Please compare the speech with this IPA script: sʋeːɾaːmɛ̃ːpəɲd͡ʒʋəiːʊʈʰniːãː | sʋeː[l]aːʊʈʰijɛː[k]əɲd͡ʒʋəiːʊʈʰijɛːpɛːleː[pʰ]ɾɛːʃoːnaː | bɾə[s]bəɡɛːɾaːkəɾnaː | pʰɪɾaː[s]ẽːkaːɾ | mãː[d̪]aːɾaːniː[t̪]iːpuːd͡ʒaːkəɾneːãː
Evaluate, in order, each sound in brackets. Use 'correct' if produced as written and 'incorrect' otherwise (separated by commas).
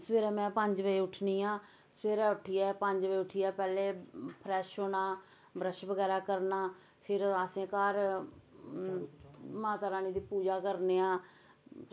incorrect, incorrect, correct, incorrect, correct, incorrect, incorrect